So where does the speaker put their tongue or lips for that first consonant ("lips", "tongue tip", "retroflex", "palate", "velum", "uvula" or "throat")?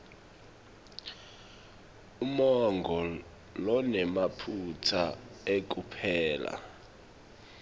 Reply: lips